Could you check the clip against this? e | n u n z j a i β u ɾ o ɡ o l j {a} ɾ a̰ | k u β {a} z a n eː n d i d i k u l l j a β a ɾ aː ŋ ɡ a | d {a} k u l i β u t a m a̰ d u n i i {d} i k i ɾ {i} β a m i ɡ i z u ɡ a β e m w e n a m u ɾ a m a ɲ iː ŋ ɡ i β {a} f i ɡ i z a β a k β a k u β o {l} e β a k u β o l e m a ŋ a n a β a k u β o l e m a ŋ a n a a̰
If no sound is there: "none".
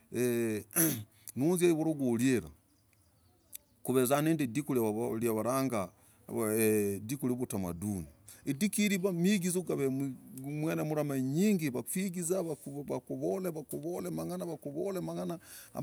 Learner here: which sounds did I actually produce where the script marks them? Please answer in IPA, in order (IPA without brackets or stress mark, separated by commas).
e, e, i, d, i, a, l